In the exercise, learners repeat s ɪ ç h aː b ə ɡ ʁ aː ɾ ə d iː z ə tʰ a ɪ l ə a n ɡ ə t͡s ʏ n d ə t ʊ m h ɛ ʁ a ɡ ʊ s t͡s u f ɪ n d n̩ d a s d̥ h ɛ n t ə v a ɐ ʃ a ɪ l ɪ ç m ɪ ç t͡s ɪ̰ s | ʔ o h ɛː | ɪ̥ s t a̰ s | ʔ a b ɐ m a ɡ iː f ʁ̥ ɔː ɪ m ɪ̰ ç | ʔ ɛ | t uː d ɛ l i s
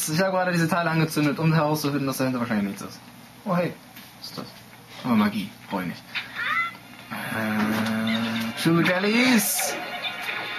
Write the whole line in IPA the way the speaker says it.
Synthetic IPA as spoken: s ɪ ç h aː b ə ɡ ʁ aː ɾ ə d iː z ə tʰ a ɪ l ə a n ɡ ə t͡s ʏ n d ə t ʊ m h ɛ ʁ a ʊ s t͡s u f ɪ n d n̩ d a s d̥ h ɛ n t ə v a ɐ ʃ a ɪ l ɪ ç m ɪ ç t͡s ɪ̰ s | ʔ o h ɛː | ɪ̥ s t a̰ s | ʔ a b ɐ m a ɡ iː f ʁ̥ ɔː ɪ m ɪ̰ ç | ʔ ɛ | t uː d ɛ l i s